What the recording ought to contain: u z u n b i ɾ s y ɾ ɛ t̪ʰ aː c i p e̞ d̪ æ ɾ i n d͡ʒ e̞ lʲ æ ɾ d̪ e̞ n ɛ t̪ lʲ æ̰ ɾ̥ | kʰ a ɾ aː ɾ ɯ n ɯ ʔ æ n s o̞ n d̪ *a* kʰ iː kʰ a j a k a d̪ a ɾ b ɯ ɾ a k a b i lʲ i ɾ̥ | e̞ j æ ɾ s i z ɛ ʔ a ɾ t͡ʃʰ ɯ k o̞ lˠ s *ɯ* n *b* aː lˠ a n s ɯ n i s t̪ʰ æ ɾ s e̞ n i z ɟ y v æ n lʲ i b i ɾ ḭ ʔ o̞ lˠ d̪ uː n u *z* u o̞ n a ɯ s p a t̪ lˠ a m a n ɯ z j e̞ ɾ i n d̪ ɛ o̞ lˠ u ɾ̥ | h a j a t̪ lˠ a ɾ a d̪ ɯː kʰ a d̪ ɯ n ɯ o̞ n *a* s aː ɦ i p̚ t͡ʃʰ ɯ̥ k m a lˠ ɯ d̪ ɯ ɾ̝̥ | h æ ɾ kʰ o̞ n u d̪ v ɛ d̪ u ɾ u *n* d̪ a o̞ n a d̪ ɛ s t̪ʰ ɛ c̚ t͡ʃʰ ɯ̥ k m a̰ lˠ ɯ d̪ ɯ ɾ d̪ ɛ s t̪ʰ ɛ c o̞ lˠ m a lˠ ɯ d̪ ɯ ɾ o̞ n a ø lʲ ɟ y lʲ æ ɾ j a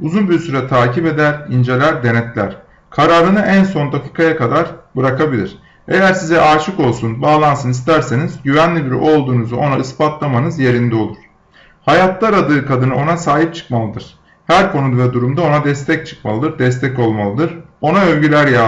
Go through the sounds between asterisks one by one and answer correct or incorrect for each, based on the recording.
correct, incorrect, correct, correct, correct, incorrect

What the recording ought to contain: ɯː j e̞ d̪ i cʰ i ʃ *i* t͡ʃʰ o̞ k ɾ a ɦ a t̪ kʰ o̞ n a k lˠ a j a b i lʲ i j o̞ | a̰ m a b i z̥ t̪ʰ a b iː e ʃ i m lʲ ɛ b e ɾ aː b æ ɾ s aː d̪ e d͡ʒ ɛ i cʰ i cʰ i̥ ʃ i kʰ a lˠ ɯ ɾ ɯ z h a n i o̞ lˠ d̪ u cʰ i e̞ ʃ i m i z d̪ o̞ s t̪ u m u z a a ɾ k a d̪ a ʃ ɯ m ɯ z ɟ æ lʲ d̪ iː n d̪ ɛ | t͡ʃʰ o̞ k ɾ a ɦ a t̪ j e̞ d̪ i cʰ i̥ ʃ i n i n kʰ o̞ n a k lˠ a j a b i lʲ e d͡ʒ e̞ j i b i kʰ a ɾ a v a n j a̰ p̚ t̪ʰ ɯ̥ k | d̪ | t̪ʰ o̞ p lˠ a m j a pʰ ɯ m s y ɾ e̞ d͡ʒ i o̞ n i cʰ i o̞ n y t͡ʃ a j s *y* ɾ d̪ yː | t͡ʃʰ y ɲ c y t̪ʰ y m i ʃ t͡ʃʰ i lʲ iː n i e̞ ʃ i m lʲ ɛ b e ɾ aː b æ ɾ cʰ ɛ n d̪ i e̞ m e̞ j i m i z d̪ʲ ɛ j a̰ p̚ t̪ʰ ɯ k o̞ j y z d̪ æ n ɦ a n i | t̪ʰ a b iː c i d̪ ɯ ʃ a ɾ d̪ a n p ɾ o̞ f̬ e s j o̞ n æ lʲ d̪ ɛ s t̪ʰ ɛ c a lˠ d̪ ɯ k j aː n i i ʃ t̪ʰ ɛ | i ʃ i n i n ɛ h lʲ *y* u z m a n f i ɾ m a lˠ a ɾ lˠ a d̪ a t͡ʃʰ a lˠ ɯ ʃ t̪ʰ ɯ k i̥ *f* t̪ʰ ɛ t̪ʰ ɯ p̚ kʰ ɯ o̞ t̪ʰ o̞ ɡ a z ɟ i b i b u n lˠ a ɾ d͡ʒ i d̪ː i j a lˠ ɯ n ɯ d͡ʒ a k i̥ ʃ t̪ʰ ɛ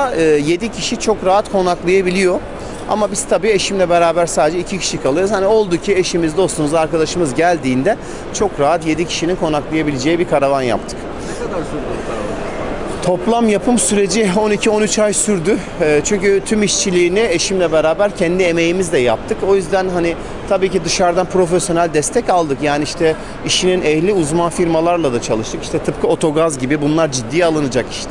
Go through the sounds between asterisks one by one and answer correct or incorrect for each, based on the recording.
correct, correct, incorrect, incorrect

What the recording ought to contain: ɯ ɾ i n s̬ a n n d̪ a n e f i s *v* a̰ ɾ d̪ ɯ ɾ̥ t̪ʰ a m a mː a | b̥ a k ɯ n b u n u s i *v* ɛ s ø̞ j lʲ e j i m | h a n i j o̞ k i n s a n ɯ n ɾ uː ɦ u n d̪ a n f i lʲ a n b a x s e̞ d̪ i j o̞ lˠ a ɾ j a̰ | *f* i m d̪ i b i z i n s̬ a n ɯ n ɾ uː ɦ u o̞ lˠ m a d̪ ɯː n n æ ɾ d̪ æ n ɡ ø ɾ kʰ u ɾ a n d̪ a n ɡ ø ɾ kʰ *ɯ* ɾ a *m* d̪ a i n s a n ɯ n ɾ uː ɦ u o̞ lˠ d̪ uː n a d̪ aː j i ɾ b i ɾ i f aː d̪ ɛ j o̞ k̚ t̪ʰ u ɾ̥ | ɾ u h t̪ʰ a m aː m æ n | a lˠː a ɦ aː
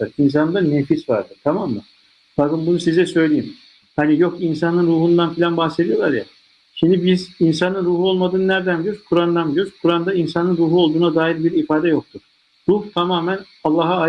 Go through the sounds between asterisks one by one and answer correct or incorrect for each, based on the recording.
correct, incorrect, incorrect, incorrect, incorrect

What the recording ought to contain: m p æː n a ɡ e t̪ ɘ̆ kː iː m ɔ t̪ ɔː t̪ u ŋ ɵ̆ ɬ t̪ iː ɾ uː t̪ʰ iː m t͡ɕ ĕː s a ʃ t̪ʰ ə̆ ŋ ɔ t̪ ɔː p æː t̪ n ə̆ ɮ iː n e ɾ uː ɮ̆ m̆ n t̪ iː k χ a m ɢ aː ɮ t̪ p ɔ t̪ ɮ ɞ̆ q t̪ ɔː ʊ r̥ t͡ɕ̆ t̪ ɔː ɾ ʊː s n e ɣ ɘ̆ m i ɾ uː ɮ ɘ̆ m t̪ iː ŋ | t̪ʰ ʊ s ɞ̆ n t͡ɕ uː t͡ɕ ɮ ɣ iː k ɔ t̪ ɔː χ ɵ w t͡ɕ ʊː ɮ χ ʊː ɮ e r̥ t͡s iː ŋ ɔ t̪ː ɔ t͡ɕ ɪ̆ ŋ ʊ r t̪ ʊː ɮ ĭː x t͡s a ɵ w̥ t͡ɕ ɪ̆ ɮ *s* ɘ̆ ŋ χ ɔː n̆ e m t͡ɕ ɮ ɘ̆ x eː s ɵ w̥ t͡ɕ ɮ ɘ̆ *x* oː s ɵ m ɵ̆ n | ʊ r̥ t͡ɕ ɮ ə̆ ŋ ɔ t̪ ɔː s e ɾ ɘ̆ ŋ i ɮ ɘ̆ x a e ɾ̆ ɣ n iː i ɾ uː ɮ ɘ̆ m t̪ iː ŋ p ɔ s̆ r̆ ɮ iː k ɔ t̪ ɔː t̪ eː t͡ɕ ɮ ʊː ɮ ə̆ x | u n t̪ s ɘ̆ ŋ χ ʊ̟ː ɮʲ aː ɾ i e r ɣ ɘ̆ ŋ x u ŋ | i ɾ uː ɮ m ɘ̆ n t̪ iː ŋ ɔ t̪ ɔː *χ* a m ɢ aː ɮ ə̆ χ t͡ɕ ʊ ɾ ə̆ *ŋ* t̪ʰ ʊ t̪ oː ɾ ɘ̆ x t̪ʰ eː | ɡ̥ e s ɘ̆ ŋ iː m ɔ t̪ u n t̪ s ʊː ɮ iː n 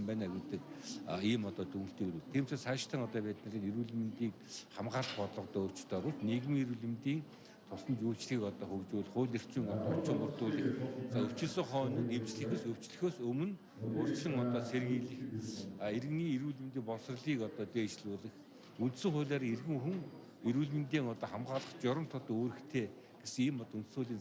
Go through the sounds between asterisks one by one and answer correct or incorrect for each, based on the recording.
correct, correct, correct, incorrect

